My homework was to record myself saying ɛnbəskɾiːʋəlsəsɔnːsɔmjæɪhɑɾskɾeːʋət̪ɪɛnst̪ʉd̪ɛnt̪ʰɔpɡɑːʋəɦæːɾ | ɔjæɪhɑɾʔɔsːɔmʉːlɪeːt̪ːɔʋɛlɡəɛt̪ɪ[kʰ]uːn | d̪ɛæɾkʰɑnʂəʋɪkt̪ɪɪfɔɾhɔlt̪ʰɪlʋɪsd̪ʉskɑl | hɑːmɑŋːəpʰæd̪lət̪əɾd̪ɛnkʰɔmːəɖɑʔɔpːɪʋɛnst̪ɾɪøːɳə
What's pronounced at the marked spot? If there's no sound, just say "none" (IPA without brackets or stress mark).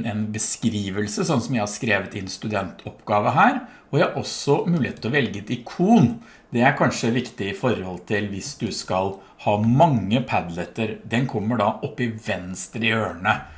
kʰ